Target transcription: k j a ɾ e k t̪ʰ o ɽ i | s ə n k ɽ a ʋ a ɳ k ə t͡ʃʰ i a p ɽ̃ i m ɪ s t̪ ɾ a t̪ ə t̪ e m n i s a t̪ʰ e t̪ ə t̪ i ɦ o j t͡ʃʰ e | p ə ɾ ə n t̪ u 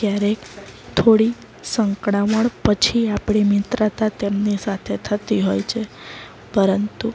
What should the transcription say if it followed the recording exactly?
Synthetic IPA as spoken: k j a ɾ e k t̪ʰ o ɽ i | s ə ŋ k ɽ a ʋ ə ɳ p ə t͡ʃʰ i a p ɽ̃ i m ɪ t̪ ɾ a t̪ a t̪ e m n i s a t̪ʰ e t̪ʰ ə t̪ i ɦ o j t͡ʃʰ e | p ə ɾ ə n t̪ u